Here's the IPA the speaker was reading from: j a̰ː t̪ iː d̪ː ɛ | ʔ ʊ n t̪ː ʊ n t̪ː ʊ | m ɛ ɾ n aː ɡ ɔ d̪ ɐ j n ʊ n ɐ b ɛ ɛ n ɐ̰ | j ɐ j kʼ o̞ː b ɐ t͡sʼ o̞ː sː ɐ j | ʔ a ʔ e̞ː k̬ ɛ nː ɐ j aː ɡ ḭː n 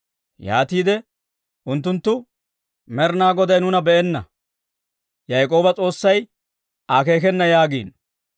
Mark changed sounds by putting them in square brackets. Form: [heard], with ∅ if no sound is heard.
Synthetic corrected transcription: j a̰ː t̪ iː [d̪] ɛ | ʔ ʊ n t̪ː ʊ n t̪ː ʊ | m ɛ ɾ n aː ɡ ɔ d̪ ɐ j n ʊ n ɐ b ɛ ɛ [nː] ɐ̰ | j ɐ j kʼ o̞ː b ɐ t͡sʼ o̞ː sː ɐ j | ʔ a [k] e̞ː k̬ ɛ nː ɐ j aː ɡ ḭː n